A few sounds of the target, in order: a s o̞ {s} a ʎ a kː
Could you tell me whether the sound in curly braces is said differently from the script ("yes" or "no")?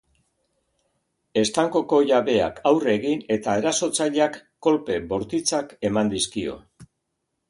yes